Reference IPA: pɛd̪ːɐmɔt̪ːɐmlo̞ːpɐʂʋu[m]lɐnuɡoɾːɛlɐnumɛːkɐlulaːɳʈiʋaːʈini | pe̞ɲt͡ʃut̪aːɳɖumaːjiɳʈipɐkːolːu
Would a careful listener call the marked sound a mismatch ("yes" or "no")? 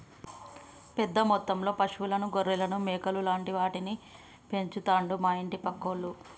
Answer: yes